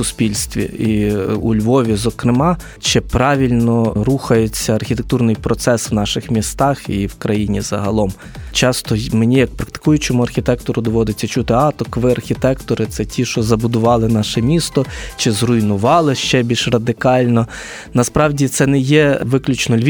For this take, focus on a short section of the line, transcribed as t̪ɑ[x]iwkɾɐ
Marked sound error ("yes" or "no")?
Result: no